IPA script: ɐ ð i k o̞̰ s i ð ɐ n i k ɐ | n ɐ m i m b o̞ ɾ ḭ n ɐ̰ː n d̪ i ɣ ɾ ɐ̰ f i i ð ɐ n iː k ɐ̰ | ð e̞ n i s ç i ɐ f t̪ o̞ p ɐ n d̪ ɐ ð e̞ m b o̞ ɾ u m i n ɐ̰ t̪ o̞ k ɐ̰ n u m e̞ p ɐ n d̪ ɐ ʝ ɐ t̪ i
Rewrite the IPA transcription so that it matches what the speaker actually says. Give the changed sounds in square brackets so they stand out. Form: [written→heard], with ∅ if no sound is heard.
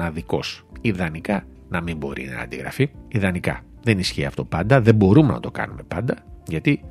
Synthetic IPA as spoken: ɐ ð i k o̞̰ s i ð ɐ n i k ɐ | n ɐ m i m b o̞ ɾ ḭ n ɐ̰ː n d̪ i ɣ ɾ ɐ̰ f i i ð ɐ n [iː→i] k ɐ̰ | ð e̞ n i s ç i ɐ f t̪ o̞ p ɐ n d̪ ɐ ð e̞ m b o̞ ɾ u m [i→e] n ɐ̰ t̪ o̞ k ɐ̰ n u m e̞ p ɐ n d̪ ɐ ʝ ɐ t̪ i